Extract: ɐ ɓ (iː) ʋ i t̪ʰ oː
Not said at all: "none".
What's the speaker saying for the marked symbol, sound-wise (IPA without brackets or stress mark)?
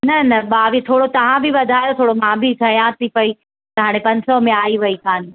aː